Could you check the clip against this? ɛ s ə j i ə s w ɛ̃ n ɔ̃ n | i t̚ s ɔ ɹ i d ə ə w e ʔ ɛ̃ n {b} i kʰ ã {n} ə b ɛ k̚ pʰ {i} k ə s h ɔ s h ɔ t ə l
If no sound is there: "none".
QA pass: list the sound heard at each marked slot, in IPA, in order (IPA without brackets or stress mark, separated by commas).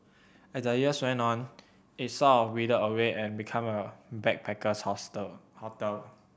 b, m, ɛ